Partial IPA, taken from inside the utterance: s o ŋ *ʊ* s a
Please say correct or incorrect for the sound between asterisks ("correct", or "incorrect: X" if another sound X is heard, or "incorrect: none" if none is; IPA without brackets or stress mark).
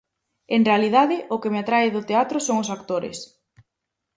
correct